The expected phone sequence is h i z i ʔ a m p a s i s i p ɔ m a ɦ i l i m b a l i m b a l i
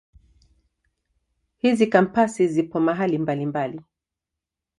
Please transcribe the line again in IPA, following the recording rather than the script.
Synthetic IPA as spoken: h i z i k a m p a s i z i p ɔ m a ɦ a l i m b a l i m b a l i